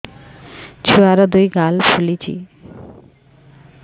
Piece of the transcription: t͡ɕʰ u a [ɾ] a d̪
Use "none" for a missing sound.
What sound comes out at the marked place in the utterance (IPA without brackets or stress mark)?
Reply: ɾ